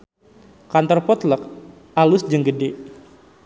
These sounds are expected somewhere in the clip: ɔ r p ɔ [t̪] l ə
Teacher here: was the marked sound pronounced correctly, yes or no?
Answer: yes